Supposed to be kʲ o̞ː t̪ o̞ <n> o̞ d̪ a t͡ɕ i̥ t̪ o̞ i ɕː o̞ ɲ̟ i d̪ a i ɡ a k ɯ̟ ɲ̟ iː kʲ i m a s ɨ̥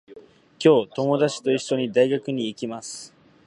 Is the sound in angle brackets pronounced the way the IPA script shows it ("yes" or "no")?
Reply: no